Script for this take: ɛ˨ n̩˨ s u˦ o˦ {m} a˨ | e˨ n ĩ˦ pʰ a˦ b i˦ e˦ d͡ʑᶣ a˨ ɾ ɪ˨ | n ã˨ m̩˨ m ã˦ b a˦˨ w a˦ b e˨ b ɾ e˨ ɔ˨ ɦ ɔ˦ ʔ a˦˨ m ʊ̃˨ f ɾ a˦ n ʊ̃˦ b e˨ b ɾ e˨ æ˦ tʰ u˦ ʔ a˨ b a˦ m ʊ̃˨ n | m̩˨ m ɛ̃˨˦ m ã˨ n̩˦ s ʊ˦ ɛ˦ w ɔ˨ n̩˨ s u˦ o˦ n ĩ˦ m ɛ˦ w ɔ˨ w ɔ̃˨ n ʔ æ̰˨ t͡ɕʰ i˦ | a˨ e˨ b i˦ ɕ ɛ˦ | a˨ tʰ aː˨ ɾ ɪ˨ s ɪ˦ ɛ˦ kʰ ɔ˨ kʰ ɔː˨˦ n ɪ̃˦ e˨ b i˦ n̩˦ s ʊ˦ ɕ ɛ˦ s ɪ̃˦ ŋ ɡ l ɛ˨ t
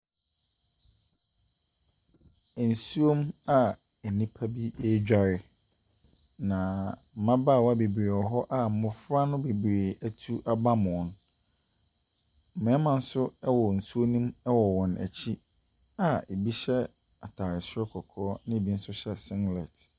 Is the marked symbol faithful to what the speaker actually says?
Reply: yes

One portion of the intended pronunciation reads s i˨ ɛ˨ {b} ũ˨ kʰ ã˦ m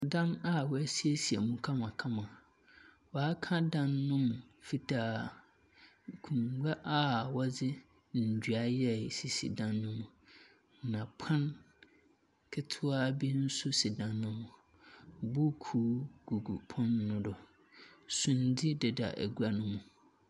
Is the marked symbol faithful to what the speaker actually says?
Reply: no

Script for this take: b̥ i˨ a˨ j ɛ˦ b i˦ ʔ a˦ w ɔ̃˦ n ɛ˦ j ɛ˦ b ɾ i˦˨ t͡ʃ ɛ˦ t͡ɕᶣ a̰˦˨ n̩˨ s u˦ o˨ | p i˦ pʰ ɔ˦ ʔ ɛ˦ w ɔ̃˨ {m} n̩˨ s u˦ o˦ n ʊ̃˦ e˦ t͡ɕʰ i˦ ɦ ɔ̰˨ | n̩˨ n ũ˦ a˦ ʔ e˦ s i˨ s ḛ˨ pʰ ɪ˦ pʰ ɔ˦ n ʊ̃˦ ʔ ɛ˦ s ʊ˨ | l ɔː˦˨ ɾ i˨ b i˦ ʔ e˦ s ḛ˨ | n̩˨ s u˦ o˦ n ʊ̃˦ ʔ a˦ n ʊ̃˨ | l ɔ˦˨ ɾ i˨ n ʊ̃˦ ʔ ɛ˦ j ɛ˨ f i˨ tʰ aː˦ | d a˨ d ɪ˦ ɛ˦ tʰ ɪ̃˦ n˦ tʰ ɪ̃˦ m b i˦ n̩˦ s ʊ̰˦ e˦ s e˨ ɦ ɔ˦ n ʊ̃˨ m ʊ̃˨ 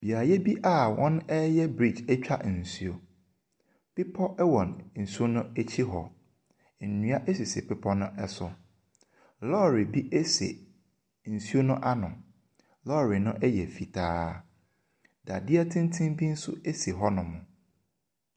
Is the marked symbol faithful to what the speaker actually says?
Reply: no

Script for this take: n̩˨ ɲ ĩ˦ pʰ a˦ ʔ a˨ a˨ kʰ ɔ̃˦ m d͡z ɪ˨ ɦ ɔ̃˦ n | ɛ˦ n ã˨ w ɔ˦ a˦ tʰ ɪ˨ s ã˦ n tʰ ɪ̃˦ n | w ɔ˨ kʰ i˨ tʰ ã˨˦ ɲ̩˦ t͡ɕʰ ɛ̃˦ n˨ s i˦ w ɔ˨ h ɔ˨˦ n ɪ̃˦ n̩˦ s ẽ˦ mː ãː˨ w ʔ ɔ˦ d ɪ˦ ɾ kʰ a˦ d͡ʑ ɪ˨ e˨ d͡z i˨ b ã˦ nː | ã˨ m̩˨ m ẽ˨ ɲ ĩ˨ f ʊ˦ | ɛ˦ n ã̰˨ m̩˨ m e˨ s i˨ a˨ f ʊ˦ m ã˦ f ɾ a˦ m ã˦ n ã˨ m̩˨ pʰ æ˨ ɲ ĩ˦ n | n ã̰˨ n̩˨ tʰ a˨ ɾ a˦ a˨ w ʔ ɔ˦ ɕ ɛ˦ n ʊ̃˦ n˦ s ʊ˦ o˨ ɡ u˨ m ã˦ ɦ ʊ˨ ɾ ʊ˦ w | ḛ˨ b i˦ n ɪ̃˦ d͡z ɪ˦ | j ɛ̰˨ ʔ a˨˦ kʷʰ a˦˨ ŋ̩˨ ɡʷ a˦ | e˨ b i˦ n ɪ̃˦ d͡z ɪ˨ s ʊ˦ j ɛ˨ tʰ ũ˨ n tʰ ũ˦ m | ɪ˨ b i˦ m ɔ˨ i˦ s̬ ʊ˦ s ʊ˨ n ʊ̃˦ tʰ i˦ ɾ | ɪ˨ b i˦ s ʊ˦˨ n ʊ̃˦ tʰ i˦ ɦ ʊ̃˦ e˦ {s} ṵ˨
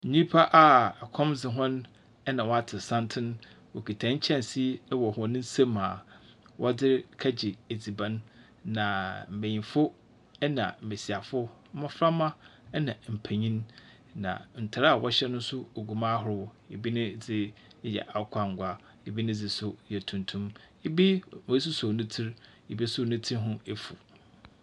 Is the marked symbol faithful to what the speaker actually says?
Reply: no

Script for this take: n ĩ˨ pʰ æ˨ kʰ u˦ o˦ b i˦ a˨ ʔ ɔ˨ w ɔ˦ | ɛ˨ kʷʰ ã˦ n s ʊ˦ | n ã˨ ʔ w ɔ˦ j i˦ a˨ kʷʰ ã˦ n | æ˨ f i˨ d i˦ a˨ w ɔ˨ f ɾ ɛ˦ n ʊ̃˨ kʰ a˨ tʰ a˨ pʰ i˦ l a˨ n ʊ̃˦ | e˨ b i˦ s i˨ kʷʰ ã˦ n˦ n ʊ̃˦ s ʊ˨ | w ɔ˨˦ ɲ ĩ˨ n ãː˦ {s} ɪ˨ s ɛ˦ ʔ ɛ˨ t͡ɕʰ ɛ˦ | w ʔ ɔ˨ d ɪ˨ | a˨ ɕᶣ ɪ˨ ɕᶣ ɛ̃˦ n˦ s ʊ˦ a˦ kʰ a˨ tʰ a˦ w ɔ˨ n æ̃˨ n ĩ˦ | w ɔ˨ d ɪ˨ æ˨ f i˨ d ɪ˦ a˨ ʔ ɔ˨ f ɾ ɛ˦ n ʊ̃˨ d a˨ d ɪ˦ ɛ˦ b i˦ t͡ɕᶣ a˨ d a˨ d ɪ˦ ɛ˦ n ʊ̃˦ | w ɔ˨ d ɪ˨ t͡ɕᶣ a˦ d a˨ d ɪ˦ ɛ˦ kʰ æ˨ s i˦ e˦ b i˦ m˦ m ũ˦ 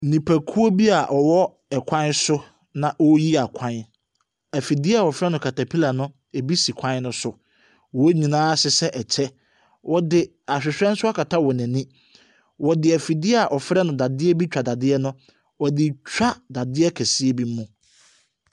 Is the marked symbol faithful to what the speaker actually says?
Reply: yes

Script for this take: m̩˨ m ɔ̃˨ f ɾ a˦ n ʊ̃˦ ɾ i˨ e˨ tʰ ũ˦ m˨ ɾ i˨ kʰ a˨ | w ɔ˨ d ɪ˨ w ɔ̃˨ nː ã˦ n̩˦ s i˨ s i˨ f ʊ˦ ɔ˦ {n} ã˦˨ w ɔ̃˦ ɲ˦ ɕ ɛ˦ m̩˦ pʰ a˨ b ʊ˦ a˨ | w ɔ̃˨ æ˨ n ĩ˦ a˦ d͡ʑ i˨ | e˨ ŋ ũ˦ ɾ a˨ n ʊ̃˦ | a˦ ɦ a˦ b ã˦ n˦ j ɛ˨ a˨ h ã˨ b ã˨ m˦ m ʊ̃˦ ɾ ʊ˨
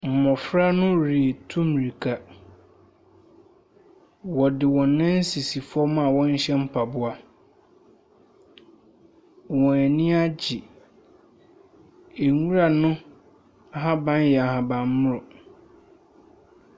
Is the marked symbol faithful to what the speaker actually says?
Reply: no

